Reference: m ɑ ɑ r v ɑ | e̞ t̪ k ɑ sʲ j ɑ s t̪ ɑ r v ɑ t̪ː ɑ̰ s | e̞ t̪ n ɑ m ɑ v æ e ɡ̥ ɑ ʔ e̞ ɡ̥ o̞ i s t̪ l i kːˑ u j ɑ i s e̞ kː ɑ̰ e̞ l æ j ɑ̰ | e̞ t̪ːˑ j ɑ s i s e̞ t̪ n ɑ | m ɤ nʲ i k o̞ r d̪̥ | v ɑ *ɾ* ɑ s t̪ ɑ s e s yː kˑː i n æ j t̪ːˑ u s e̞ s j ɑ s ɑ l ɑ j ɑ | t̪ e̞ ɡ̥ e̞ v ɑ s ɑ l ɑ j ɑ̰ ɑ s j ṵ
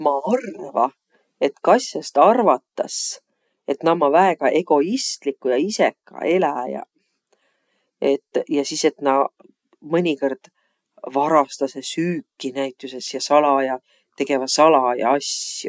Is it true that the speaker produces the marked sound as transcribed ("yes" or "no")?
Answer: yes